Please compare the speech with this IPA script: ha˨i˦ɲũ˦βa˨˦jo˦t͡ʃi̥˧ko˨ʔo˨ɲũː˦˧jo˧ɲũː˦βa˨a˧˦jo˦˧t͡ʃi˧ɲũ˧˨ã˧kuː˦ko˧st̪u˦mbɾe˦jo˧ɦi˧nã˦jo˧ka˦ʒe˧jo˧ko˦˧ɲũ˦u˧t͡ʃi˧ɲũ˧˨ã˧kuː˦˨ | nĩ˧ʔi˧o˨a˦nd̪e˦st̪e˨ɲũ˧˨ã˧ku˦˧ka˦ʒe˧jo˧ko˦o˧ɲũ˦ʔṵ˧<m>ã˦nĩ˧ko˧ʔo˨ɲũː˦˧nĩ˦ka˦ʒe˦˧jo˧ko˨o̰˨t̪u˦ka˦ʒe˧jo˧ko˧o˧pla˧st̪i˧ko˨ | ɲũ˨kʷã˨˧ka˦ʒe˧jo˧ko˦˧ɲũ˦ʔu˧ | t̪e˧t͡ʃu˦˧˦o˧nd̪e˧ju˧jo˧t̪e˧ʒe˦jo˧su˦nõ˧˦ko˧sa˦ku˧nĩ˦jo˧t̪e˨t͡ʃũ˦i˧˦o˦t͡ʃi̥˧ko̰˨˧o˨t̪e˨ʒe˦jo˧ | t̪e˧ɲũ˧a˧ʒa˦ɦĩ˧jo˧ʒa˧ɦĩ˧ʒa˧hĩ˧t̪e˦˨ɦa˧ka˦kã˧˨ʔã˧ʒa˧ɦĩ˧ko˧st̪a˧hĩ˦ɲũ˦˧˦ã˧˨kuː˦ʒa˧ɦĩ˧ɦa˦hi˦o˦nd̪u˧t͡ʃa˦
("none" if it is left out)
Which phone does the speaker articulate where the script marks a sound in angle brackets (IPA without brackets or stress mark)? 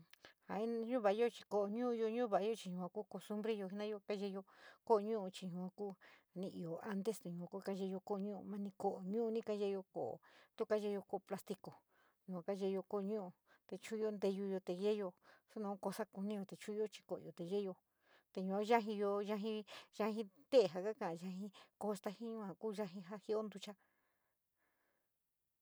m